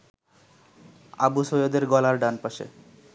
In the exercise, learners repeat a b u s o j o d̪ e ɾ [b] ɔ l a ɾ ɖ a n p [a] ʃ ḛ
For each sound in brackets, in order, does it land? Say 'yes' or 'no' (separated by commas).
no, yes